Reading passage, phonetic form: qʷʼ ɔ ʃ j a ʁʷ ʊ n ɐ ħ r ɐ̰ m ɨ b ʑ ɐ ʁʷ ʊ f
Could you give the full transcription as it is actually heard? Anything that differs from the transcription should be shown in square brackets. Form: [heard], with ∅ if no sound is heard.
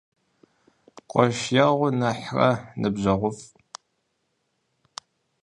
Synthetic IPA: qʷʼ ɔ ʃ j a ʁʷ ʊ n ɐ ħ r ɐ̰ [n] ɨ b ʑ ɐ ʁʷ ʊ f